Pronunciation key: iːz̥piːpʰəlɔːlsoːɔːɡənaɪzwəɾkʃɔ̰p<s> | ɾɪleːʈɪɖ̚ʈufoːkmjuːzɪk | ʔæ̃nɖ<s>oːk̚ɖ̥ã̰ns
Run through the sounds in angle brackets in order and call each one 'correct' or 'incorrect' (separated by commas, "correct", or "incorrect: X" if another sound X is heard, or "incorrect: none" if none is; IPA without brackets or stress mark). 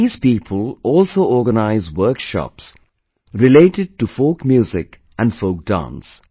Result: correct, incorrect: f